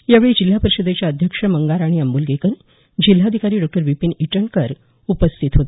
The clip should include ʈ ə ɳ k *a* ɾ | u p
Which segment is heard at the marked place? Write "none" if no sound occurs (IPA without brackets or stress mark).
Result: ə